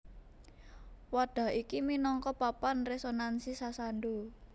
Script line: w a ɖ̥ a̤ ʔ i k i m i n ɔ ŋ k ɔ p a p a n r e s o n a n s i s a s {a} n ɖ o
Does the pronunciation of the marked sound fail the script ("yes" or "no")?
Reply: no